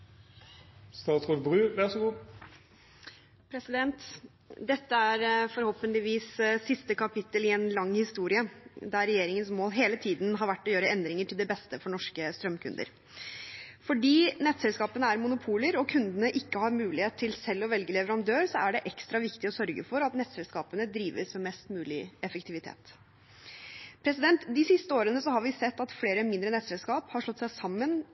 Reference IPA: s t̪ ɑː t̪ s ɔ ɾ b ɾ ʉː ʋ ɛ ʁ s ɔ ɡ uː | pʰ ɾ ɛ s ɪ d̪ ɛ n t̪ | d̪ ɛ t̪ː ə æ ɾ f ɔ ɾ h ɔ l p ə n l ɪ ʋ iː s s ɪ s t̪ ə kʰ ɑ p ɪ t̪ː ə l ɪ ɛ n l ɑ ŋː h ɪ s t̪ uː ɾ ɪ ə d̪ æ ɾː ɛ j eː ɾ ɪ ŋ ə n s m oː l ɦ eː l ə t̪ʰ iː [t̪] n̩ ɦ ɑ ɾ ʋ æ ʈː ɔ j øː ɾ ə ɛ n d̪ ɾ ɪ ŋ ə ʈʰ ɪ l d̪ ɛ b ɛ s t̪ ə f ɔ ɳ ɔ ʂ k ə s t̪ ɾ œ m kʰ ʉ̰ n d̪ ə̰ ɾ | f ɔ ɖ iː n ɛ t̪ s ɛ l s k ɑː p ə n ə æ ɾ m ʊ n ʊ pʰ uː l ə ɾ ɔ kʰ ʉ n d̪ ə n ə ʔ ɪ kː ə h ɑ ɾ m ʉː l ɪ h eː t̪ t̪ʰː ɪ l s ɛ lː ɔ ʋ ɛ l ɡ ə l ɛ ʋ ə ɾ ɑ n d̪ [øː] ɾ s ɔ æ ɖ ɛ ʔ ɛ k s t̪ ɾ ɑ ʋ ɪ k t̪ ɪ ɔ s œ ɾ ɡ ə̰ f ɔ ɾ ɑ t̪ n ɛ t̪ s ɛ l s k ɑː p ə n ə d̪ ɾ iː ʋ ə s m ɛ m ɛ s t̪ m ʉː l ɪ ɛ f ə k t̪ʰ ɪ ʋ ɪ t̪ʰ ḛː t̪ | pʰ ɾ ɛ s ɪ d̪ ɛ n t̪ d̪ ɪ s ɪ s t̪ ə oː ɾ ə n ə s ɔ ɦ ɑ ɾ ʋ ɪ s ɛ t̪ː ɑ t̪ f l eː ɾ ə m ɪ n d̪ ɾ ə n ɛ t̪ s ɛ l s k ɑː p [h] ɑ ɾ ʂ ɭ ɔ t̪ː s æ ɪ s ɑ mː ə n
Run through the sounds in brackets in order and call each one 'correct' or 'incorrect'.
incorrect, correct, correct

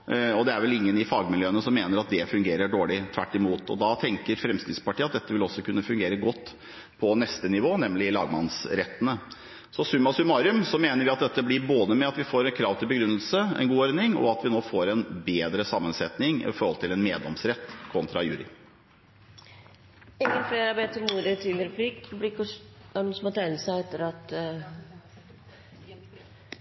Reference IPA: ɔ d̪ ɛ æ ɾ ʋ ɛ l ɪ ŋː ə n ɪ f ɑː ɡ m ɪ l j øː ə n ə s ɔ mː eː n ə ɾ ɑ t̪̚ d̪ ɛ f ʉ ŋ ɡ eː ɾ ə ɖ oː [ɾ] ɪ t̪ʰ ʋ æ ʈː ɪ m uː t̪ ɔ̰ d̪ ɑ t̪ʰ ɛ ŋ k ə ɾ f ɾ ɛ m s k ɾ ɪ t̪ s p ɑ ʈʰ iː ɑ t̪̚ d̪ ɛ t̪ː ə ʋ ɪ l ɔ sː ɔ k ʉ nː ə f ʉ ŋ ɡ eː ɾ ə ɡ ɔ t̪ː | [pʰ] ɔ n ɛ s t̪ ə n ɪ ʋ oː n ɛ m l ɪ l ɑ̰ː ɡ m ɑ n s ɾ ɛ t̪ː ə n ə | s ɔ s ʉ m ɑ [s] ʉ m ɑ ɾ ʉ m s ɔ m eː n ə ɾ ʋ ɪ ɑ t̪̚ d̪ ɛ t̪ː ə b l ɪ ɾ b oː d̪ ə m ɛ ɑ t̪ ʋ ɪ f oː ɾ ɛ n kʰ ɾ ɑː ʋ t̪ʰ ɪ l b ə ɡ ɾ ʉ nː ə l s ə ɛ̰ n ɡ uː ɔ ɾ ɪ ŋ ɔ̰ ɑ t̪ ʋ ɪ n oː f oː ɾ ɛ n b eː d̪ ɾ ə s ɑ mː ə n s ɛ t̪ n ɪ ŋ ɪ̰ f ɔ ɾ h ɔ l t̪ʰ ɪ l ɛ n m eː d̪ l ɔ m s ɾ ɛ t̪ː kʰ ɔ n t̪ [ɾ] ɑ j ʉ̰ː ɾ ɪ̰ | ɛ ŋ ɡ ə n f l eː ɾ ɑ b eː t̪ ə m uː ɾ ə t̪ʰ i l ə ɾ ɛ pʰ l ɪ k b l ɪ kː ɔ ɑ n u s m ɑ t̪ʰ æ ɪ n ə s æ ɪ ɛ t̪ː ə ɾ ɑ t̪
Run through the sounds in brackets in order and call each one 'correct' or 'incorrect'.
incorrect, correct, correct, correct

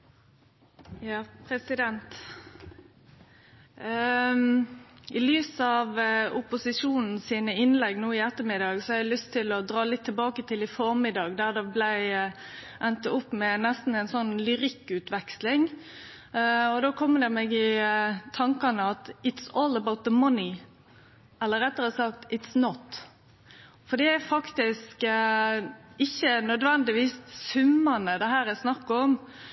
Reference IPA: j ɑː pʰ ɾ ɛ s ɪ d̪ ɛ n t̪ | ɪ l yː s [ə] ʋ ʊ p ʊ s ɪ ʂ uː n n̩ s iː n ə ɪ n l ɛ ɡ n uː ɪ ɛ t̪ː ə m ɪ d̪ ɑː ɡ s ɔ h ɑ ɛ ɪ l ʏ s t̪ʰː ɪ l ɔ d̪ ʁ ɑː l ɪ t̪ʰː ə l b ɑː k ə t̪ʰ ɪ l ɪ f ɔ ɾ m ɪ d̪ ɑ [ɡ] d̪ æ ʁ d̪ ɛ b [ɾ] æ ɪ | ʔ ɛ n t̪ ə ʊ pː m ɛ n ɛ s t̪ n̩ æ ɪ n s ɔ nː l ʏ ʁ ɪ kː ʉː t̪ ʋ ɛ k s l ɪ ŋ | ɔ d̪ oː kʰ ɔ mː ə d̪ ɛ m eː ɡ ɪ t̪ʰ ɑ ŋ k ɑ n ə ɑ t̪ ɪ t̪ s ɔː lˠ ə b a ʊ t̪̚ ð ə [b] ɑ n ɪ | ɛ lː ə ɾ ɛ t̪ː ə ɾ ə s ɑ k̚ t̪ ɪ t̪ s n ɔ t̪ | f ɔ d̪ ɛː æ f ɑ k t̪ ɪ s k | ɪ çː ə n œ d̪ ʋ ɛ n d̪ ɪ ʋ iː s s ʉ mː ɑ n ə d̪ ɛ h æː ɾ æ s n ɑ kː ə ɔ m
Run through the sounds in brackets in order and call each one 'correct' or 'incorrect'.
incorrect, correct, incorrect, incorrect

